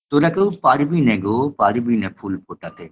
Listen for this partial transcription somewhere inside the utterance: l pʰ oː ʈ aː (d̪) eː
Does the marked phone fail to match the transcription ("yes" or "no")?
yes